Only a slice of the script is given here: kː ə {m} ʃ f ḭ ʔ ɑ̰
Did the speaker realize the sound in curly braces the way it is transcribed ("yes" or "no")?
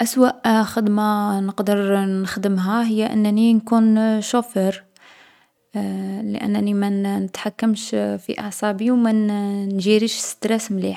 yes